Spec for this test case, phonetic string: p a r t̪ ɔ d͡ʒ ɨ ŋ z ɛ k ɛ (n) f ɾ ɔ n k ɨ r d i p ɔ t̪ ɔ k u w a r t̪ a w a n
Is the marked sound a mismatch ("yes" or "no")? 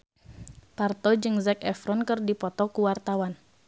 yes